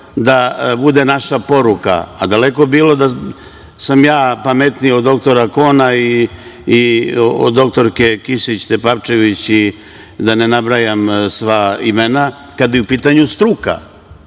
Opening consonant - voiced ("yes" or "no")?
yes